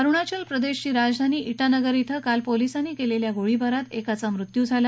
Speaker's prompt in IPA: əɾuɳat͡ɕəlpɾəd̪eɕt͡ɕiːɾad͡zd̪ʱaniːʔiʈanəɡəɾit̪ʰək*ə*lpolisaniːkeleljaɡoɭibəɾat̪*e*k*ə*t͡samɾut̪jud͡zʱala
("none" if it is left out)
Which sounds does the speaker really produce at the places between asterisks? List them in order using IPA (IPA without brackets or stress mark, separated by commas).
a, e, a